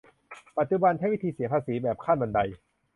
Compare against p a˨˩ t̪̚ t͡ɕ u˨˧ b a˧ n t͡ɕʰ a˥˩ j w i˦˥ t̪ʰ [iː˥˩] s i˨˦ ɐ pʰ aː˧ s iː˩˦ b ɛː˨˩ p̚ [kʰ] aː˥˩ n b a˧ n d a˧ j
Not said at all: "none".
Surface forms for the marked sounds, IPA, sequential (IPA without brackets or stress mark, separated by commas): iː˧, kʰ